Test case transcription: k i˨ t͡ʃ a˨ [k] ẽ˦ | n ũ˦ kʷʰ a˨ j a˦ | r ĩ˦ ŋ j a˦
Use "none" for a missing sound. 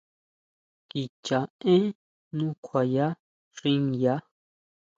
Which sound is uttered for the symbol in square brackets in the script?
none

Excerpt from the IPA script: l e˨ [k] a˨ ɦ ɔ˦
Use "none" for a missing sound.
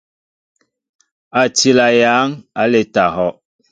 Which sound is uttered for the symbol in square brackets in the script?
t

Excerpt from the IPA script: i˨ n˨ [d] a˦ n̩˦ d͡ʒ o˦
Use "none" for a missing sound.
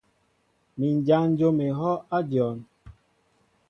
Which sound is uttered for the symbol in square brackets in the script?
d͡ʒ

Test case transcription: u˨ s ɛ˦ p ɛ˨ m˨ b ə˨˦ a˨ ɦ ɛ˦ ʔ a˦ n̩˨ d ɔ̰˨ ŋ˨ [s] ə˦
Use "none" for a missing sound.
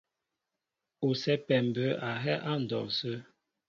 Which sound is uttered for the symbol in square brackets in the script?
s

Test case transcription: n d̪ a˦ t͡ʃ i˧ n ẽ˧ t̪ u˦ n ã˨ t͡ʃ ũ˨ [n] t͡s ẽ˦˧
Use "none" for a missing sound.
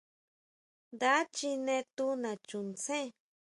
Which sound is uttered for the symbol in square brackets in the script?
n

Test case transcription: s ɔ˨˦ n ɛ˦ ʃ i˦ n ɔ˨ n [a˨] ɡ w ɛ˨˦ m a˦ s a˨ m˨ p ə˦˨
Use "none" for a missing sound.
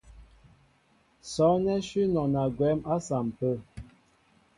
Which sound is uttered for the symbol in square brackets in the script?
a˨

